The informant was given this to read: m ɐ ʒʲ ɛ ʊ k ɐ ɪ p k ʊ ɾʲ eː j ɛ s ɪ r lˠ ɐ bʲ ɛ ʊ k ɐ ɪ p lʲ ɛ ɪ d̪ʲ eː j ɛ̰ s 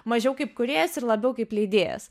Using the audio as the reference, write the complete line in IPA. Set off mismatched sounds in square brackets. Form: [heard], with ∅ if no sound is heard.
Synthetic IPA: m ɐ ʒʲ ɛ ʊ k ɐ ɪ p k ʊ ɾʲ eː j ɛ s ɪ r lˠ ɐ bʲ ɛ ʊ k ɐ ɪ p lʲ ɛ ɪ d̪ʲ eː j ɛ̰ s